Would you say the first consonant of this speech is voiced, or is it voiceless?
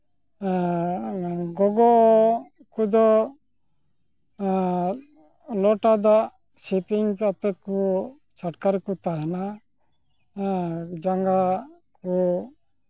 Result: voiced